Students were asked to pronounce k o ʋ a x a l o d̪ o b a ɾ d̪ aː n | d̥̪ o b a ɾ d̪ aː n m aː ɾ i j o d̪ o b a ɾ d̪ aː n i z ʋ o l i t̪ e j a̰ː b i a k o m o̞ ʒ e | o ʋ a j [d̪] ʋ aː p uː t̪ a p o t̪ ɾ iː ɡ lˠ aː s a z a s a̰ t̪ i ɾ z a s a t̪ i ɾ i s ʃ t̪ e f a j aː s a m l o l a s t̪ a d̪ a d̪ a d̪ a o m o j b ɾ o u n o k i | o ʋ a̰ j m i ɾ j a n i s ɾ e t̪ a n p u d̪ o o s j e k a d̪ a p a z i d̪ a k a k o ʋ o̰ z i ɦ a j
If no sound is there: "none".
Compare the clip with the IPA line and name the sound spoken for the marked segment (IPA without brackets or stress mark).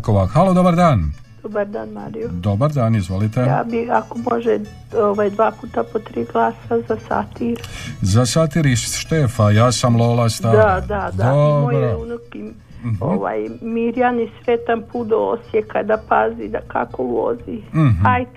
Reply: d̪